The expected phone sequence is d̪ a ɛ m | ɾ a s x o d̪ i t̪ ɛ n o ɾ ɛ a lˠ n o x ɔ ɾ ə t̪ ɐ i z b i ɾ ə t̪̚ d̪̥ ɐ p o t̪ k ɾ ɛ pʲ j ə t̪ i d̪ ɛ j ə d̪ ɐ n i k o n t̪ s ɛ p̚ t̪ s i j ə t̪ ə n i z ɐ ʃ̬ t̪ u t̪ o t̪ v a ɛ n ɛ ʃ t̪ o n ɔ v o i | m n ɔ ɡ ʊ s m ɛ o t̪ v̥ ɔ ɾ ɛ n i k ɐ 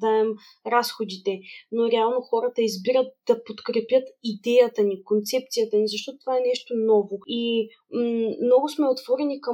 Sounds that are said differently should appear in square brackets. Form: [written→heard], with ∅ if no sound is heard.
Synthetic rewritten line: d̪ a ɛ m | ɾ a s x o d̪ i t̪ ɛ n o ɾ ɛ a lˠ n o x ɔ ɾ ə t̪ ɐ i z b i ɾ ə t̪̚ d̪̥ ɐ p o t̪ k ɾ ɛ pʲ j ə t̪ i d̪ ɛ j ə [d̪→t̪] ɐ n i k o n t̪ s ɛ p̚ t̪ s i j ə t̪ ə n i z ɐ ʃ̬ t̪ [u→ɔ] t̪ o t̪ v a ɛ n ɛ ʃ t̪ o n ɔ v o i | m n ɔ ɡ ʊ s m ɛ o t̪ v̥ ɔ ɾ ɛ n i k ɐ